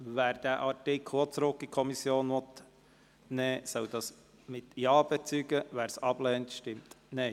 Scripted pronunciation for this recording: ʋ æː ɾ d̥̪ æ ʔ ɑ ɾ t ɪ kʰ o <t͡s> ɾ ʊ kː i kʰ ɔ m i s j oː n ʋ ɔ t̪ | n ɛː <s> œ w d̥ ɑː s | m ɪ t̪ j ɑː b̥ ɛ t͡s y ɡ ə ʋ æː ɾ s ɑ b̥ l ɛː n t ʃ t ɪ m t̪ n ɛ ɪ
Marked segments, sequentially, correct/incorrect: correct, correct

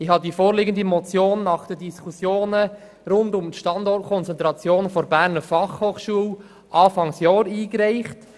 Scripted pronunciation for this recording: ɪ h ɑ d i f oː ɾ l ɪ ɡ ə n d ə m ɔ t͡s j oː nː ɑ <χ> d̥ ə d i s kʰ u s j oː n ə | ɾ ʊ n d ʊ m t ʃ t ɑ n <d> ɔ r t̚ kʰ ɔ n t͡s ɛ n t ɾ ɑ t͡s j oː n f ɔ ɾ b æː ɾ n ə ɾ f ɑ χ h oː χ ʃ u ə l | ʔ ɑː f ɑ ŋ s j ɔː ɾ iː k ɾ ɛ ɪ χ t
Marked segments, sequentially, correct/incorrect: correct, correct

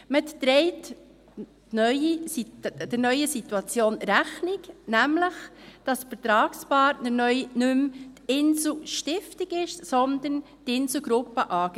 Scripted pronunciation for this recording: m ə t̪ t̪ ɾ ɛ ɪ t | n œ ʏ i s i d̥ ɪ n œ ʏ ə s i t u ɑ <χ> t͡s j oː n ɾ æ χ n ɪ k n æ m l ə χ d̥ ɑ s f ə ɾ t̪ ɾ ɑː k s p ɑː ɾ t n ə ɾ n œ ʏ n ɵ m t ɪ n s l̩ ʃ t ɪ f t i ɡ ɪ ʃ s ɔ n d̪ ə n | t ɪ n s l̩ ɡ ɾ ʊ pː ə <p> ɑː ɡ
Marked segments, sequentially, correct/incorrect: incorrect, incorrect

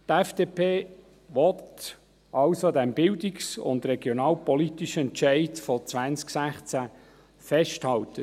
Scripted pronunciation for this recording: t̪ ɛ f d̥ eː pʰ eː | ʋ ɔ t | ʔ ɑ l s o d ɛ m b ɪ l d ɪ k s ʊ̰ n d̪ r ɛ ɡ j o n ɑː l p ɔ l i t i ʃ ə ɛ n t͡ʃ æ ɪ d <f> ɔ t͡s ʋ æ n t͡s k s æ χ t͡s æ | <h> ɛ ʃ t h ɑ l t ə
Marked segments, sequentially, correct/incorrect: correct, incorrect

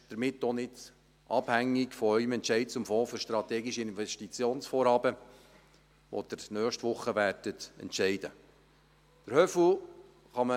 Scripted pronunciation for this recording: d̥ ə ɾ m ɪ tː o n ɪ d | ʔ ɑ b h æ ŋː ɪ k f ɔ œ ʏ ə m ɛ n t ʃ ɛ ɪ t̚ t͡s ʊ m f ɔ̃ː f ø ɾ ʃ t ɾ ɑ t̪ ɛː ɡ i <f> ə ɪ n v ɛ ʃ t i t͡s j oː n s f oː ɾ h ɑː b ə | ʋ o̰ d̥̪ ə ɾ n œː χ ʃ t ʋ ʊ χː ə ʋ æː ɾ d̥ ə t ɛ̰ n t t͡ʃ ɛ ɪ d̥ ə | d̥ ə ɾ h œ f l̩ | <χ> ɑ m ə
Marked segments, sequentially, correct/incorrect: incorrect, correct

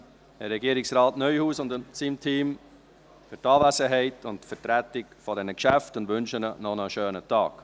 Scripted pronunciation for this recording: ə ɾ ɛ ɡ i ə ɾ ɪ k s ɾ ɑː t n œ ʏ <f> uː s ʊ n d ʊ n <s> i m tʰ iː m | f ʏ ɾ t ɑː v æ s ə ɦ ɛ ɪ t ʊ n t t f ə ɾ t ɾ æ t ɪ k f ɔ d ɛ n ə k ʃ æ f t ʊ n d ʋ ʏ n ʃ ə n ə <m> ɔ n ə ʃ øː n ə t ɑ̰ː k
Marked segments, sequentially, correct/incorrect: incorrect, correct, incorrect

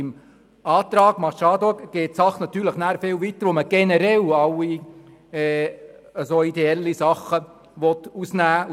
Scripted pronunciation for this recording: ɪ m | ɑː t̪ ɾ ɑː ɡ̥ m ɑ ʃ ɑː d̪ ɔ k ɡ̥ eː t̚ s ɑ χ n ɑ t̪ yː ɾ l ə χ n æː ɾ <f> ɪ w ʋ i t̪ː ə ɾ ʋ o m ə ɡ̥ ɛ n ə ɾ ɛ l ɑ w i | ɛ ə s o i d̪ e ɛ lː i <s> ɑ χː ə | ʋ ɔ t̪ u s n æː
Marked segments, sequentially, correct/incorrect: correct, correct

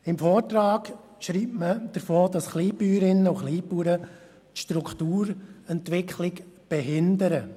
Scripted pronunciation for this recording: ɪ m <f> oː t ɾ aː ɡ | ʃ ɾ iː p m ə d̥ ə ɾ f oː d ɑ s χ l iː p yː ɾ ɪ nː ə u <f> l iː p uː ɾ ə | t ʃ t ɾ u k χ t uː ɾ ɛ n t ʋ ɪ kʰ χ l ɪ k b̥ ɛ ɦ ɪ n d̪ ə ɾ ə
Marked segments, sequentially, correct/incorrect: correct, incorrect

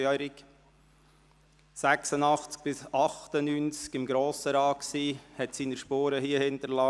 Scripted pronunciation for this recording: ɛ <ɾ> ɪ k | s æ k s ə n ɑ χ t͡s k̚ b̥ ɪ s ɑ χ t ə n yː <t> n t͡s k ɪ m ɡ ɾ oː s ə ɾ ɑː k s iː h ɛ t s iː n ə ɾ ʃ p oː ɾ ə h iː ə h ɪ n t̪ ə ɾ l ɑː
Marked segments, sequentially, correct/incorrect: correct, incorrect

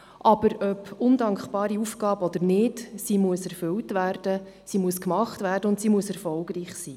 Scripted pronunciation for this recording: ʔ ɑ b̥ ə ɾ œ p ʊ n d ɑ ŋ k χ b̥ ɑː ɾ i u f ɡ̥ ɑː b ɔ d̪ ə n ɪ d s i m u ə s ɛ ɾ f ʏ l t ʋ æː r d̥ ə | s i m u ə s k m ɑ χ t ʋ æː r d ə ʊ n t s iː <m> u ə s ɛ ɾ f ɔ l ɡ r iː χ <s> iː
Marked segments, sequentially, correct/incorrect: correct, correct

